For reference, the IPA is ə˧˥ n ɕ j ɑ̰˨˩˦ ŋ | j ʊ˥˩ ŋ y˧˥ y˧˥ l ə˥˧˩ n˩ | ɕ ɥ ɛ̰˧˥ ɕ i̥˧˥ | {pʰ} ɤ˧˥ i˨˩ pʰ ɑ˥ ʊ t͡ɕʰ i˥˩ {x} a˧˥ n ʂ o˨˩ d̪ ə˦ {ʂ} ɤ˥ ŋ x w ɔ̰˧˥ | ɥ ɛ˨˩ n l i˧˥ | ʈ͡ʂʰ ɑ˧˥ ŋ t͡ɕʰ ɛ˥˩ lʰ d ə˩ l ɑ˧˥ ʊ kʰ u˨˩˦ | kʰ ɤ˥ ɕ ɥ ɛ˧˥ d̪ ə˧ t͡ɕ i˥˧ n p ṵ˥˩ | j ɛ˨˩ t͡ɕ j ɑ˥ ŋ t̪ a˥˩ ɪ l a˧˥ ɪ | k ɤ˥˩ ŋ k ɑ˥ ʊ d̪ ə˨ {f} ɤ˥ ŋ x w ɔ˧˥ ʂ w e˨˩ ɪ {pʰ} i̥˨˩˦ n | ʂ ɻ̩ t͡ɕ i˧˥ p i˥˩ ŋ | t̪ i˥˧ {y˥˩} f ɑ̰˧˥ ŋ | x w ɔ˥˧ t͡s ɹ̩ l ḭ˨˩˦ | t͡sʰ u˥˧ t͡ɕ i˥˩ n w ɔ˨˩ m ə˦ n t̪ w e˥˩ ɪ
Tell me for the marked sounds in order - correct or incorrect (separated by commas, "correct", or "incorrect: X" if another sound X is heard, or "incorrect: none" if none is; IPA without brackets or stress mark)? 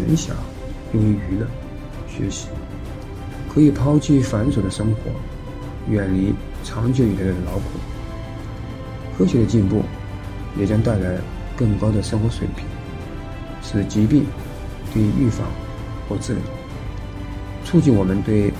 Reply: incorrect: kʰ, incorrect: f, correct, incorrect: ʂ, correct, correct